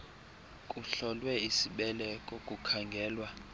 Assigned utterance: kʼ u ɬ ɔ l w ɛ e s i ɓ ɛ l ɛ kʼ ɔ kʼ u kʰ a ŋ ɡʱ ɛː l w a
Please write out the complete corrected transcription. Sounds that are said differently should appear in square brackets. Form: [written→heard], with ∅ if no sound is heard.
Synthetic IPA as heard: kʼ u ɬ ɔ l w ɛ [e→i] s i ɓ ɛ l ɛ kʼ ɔ kʼ u kʰ a ŋ ɡʱ ɛː l w a